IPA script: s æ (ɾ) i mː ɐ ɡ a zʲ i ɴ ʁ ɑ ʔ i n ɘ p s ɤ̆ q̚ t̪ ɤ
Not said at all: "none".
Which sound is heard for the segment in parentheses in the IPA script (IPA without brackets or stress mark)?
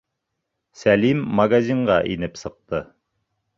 l